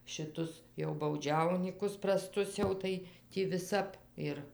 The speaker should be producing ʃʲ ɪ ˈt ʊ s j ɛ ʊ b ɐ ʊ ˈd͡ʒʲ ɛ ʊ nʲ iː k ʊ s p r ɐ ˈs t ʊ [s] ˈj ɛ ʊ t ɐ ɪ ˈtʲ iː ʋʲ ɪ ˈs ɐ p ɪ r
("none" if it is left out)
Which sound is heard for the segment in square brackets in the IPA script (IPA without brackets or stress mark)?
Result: s